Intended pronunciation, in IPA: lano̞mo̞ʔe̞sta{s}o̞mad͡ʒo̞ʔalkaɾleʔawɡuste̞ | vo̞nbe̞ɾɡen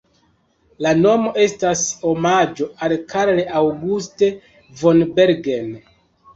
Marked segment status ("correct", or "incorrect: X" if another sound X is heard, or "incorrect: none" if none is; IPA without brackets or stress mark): correct